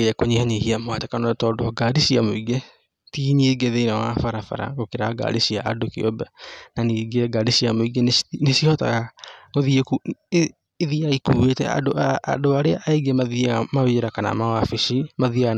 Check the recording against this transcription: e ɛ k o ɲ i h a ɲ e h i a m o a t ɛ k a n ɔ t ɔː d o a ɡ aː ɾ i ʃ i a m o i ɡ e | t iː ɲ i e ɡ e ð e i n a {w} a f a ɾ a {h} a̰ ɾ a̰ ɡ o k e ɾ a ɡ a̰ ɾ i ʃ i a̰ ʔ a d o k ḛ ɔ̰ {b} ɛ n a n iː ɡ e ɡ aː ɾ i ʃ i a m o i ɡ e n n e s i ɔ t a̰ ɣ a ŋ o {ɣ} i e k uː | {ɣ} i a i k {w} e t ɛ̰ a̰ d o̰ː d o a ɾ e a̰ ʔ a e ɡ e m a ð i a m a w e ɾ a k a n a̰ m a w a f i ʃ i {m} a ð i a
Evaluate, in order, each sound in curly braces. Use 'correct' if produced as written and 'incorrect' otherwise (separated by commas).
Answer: correct, incorrect, correct, incorrect, incorrect, incorrect, correct